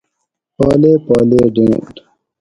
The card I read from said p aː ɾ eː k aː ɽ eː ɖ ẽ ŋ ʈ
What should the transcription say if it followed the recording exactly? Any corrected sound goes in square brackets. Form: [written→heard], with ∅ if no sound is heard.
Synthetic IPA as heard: p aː [ɾ→l] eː [k→p] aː [ɽ→l] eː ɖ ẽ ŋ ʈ

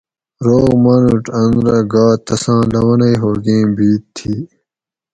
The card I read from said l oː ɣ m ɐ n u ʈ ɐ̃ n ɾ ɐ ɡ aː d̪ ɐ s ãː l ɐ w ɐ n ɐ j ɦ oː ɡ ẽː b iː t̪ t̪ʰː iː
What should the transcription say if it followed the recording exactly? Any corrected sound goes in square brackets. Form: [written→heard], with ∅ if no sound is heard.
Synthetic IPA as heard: [l→ɾ] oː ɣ m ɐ n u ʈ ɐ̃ n ɾ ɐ ɡ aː [d̪→t̪] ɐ s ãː l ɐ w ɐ n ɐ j ɦ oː ɡ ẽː b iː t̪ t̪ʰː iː

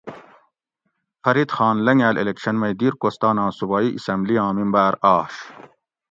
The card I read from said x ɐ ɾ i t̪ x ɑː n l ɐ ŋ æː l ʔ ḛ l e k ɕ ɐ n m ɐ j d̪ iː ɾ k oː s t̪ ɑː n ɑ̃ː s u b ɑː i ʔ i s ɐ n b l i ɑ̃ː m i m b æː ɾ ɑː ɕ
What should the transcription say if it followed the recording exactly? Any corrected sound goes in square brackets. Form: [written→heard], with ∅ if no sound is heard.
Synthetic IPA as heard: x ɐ ɾ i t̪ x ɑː n l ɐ ŋ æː l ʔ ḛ l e k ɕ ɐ n m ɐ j d̪ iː ɾ k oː s t̪ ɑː n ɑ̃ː s u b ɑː i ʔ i s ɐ [n→m] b l i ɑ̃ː m i m b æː ɾ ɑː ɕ

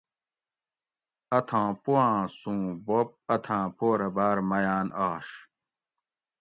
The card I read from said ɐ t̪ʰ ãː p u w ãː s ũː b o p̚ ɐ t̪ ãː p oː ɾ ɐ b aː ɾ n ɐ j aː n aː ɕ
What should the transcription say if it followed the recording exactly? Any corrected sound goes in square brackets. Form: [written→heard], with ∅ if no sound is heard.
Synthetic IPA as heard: ɐ t̪ʰ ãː p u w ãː s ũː b o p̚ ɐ [t̪→t̪ʰ] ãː p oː ɾ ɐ b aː ɾ [n→m] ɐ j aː n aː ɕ

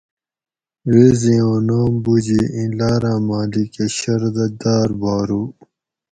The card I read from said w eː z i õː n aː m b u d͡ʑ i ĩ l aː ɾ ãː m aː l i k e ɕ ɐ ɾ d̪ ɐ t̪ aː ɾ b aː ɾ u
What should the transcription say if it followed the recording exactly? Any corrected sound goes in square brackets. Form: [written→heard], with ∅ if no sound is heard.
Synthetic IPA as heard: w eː z i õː n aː m b u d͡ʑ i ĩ l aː ɾ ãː m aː l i k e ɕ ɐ ɾ d̪ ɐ [t̪→d̪] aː ɾ b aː ɾ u

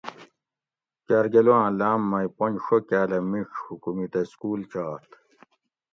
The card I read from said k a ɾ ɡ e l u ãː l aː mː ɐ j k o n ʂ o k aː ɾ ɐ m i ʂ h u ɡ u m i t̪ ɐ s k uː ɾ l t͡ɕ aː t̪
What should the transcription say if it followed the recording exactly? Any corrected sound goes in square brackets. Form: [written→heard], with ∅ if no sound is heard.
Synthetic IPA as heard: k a ɾ ɡ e l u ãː l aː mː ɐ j [k→p] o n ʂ o k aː [ɾ→l] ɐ m i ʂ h u [ɡ→k] u m i t̪ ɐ s k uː [ɾ→∅] l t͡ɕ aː t̪

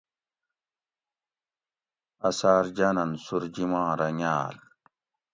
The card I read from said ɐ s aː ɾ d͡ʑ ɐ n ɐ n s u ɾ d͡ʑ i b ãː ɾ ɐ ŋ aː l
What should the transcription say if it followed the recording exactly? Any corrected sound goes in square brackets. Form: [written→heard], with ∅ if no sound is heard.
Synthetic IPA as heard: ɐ s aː ɾ d͡ʑ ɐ n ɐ n s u ɾ d͡ʑ i [b→m] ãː ɾ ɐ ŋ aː l

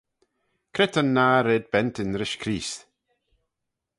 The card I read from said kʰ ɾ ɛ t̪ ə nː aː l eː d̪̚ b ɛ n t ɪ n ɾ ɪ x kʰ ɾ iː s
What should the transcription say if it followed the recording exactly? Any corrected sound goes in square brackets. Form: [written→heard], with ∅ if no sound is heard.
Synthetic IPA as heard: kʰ ɾ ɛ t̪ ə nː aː [l→ɾ] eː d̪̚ b ɛ n t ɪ n ɾ ɪ [x→ʃ] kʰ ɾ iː s

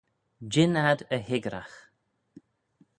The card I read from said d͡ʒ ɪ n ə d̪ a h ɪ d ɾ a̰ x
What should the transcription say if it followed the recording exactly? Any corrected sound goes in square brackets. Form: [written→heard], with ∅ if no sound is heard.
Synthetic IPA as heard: d͡ʒ ɪ n [ə→a] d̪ [a→ə] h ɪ [d→ɡ] ɾ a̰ x

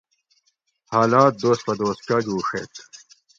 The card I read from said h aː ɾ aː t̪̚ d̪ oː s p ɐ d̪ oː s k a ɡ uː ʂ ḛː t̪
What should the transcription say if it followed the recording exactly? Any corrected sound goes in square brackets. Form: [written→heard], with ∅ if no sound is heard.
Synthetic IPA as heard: h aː [ɾ→l] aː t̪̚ d̪ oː s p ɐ d̪ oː s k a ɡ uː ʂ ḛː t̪

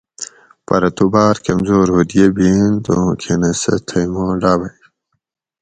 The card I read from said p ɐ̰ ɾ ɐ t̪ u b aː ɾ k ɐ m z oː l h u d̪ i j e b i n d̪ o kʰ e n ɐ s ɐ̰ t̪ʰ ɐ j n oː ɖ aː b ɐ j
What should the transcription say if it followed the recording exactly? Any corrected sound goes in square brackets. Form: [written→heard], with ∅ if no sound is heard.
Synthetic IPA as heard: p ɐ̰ ɾ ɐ t̪ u b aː ɾ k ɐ m z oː [l→ɾ] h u d̪ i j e b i n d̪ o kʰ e n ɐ s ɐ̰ t̪ʰ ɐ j [n→m] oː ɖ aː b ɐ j

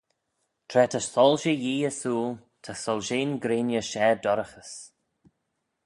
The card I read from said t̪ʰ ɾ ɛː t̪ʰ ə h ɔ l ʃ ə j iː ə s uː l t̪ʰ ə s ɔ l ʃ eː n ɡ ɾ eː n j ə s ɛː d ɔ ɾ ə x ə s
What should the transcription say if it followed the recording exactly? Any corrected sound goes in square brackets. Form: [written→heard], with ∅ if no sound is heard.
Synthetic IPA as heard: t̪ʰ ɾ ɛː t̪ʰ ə [h→s] ɔ l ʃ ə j iː ə s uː l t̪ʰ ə s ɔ l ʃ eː n ɡ ɾ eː n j ə [s→ʃ] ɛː d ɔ ɾ ə x ə s

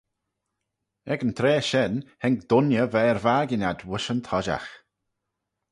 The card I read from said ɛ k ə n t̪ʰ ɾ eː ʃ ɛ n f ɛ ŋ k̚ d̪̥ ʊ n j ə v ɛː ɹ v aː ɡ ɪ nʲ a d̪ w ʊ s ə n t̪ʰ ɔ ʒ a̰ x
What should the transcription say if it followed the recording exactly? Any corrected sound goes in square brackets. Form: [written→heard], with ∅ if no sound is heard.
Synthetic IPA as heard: ɛ [k→ɡ] ə n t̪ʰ ɾ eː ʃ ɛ n [f→h] ɛ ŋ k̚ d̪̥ ʊ n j ə v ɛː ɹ v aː ɡ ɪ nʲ a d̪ w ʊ [s→ʃ] ə n t̪ʰ ɔ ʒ a̰ x

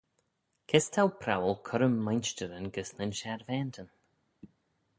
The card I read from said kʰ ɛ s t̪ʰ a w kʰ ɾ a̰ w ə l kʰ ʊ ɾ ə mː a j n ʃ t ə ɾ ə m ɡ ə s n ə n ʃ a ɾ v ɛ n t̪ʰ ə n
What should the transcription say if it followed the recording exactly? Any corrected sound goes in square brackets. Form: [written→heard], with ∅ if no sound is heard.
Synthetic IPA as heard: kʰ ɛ s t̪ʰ a w [kʰ→pʰ] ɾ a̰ w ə l kʰ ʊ ɾ ə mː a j n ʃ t ə ɾ ə [m→n] ɡ ə s n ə n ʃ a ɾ v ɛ n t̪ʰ ə n

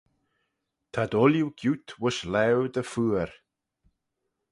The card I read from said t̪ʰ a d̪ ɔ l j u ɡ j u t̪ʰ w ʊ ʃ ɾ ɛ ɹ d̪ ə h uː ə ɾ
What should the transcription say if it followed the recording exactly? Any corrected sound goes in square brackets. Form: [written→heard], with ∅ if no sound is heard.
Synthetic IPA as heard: t̪ʰ a d̪ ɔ l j u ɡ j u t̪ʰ w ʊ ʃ [ɾ→l] ɛ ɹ d̪ ə [h→f] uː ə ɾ

